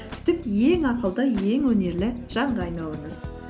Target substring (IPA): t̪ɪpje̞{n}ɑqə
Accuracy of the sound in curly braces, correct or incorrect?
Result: incorrect: ŋ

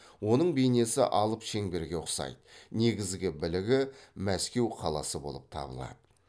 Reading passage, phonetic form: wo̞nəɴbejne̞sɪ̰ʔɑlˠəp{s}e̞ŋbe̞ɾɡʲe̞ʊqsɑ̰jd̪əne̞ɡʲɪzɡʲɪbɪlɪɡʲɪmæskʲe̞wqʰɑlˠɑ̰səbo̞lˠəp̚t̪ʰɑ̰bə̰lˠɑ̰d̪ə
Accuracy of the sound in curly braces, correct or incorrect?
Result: incorrect: ʃ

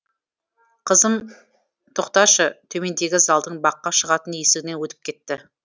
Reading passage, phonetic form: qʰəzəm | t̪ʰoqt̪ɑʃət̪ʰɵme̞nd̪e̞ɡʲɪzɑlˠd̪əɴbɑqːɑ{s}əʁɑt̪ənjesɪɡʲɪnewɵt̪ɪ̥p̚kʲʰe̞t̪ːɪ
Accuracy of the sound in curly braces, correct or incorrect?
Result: incorrect: ʃ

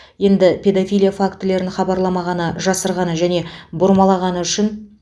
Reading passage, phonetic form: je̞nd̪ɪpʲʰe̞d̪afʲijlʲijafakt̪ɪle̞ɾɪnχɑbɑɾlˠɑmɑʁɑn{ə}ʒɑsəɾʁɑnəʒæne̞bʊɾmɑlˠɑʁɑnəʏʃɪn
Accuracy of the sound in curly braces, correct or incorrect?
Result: correct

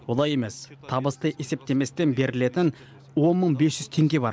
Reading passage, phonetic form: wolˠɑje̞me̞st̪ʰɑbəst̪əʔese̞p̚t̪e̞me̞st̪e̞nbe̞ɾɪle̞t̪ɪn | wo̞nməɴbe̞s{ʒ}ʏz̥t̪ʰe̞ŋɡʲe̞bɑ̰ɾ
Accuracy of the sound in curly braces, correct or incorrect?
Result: correct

